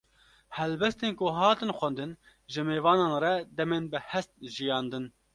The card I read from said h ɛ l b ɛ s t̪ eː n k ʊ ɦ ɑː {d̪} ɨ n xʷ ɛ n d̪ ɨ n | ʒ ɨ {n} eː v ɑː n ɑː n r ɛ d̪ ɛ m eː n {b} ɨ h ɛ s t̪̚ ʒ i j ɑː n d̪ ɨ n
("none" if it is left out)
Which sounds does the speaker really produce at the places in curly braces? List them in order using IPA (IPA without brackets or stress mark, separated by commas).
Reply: t̪, m, b